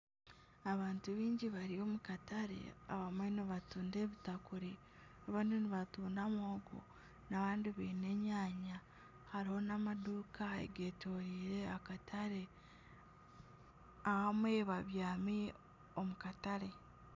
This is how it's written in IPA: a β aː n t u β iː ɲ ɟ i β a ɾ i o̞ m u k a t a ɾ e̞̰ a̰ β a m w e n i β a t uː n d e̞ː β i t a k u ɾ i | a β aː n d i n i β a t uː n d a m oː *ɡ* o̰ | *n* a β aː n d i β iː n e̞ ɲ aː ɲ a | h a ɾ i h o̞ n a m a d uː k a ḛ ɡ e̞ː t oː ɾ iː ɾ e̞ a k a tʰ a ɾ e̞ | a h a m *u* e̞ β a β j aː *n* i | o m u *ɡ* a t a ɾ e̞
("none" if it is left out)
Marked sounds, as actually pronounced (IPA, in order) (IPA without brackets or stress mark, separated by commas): ɡ, n, w, m, k